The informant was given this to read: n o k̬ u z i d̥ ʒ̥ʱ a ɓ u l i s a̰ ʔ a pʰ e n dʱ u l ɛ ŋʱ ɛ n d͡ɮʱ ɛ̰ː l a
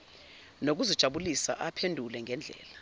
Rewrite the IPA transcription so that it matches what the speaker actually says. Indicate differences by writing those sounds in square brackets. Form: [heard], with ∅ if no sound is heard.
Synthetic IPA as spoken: n o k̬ u z i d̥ ʒ̥ʱ a ɓ u l i s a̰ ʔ a pʰ e n dʱ u l ɛ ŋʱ ɛ n d͡ɮʱ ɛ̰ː l a

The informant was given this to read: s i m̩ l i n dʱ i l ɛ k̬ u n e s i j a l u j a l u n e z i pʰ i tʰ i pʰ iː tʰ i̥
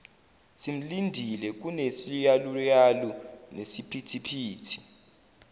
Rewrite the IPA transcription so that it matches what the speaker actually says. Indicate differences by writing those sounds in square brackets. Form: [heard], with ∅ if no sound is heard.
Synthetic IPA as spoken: s i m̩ l i n dʱ i l ɛ k̬ u n e s i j a l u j a l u n e [s] i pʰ i tʰ i pʰ iː tʰ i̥

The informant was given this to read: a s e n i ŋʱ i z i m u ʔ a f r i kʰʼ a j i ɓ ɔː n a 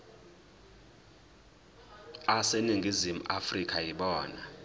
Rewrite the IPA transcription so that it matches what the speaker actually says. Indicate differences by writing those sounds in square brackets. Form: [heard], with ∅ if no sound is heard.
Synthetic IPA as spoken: a s e n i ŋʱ i z i m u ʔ a f r i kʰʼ a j i ɓ ɔː n a

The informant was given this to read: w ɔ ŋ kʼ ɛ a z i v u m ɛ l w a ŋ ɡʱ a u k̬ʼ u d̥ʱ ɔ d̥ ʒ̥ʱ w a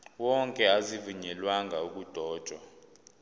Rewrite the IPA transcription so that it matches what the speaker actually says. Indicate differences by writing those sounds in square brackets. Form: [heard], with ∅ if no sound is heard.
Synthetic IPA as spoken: w ɔ ŋ kʼ ɛ a z i v u [ɲ] ɛ l w a ŋ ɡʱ a u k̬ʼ u d̥ʱ [ɔː] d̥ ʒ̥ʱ w a

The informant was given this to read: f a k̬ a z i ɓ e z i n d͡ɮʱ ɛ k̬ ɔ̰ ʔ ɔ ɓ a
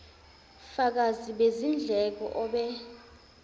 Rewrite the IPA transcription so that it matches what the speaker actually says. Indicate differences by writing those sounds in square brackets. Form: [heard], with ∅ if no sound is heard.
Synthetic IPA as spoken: f a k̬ a z i ɓ e z i n d͡ɮʱ ɛ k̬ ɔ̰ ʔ ɔ ɓ [ɛ]

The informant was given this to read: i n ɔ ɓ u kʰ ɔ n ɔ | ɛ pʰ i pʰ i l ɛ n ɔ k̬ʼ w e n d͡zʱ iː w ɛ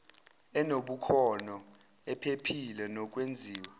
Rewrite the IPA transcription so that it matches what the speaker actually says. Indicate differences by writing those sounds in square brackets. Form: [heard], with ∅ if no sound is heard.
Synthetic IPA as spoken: [ɛ] n [o] ɓ u kʰ ɔ n ɔ | ɛ pʰ [e] pʰ i l ɛ n ɔ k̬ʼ w e n d͡zʱ iː w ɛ

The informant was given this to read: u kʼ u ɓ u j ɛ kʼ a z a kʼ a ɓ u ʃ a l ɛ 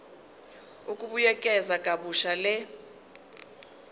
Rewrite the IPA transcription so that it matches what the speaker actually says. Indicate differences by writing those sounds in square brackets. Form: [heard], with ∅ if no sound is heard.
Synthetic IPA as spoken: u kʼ u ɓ u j ɛ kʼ [ɛ] z a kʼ a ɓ u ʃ a l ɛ

